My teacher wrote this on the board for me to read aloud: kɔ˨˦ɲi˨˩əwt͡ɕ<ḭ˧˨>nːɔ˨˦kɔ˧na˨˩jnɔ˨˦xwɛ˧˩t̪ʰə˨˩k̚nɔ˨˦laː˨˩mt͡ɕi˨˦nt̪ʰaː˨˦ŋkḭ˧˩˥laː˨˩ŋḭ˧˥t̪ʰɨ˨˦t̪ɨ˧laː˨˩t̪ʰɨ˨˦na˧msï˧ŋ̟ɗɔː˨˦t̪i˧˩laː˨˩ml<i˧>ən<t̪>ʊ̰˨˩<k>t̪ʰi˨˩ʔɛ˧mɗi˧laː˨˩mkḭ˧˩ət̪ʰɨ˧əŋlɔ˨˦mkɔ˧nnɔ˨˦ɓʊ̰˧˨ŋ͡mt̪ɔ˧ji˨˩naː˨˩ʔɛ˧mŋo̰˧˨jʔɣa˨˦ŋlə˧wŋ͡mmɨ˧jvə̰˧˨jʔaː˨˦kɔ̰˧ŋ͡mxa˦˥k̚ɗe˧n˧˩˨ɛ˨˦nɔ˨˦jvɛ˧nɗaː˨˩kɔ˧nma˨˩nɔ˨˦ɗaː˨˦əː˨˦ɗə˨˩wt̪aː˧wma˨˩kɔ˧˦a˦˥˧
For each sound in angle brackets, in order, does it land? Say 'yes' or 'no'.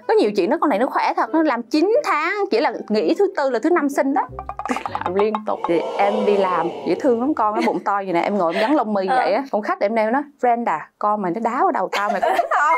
yes, yes, yes, no

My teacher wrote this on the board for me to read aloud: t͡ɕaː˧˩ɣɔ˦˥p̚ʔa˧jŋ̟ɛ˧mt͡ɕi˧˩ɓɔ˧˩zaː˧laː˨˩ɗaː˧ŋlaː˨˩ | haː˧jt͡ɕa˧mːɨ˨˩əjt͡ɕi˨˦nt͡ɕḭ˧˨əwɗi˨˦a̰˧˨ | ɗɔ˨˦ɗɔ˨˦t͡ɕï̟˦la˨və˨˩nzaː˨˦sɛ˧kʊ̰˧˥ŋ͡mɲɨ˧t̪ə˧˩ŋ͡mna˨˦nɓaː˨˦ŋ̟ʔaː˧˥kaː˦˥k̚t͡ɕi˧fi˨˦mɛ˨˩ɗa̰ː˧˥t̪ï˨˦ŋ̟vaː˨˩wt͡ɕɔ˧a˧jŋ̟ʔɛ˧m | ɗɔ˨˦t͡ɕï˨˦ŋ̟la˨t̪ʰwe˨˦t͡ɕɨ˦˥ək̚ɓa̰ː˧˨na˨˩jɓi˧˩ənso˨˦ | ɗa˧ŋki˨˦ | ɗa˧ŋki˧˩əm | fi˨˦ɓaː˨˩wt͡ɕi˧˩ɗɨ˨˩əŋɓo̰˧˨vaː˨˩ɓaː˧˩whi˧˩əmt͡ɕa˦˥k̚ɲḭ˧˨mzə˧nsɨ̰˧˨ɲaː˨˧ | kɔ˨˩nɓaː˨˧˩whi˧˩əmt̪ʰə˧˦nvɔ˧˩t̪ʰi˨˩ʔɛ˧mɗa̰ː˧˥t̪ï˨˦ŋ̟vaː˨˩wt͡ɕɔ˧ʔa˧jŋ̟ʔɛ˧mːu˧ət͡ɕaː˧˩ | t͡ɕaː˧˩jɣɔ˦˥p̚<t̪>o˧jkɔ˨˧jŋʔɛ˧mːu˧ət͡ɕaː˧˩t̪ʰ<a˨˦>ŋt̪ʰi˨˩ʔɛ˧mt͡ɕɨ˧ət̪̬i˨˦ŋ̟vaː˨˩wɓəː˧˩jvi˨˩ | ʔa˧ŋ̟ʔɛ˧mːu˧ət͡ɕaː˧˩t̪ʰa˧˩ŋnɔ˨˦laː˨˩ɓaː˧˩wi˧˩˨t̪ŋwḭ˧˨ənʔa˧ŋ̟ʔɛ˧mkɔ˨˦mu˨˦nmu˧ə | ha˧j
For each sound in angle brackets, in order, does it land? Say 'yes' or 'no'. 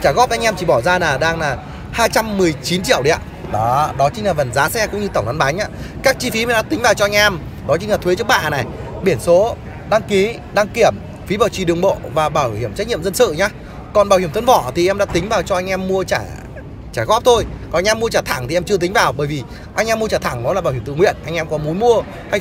no, no

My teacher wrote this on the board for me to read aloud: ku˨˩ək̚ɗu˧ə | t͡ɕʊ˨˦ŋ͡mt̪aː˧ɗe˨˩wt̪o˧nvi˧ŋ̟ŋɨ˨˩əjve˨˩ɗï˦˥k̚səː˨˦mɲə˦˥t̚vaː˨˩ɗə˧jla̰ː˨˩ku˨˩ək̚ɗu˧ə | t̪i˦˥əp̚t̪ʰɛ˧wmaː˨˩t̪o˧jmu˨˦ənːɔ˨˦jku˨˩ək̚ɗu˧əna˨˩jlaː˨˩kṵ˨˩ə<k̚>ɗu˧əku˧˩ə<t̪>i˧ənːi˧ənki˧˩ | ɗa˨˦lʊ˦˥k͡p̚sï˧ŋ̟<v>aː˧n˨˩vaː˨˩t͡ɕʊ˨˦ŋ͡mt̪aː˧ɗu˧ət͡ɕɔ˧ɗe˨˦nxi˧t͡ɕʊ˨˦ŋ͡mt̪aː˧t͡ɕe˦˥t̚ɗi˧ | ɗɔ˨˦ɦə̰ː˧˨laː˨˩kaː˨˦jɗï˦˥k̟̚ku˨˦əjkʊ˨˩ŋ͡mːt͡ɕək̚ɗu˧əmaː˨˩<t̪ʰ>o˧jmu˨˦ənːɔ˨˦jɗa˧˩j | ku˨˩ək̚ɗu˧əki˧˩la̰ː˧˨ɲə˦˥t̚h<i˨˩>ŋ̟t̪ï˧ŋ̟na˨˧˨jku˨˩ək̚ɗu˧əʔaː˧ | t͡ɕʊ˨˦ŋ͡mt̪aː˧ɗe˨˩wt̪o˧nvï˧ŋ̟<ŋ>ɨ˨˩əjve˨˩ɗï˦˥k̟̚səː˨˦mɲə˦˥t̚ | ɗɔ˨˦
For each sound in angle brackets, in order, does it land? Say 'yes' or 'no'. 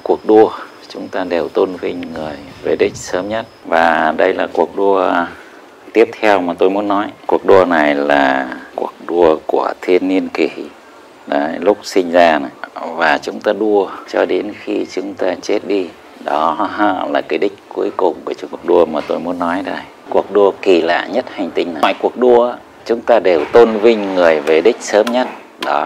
yes, no, no, no, no, yes

